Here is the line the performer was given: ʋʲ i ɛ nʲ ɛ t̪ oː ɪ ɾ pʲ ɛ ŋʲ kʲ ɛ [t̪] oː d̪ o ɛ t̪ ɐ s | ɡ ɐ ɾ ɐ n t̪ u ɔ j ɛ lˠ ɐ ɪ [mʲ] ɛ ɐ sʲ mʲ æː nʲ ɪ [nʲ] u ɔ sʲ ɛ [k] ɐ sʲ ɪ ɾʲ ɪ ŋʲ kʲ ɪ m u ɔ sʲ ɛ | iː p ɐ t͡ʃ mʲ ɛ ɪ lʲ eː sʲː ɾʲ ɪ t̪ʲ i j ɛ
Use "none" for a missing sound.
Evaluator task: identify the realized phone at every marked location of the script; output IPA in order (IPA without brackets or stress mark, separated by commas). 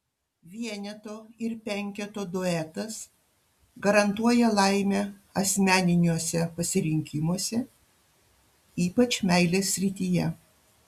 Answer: t̪, mʲ, nʲ, p